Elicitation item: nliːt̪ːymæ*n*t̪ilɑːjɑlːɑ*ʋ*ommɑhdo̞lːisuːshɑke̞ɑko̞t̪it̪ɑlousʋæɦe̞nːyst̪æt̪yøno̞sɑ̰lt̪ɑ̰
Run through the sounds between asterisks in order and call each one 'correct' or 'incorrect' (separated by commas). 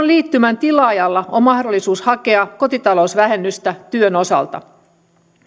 correct, incorrect